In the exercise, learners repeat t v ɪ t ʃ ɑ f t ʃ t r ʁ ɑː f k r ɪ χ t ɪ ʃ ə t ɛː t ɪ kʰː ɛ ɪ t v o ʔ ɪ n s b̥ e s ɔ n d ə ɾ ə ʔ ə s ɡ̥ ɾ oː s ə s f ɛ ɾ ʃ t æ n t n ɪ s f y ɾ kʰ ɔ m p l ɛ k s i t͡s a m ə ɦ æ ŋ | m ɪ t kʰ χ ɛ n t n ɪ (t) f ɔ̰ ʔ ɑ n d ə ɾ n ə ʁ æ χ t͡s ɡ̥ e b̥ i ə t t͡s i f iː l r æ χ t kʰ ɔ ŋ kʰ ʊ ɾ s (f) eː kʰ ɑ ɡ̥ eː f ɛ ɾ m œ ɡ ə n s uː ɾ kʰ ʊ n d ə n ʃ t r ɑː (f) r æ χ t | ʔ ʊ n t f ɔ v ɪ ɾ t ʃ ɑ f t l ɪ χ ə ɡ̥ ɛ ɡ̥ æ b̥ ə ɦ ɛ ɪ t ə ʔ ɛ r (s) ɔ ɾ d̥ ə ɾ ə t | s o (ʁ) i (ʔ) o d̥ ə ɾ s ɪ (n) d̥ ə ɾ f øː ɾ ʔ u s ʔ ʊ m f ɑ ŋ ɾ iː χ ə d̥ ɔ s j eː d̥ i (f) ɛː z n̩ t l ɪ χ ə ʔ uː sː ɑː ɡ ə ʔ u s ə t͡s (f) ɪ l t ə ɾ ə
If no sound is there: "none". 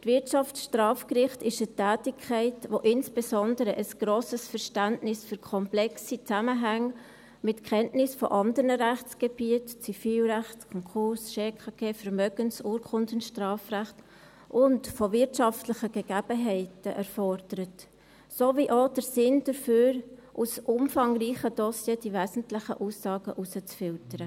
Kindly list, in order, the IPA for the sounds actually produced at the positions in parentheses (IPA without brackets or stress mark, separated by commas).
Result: s, ʃ, f, f, v, ʔ, n, v, f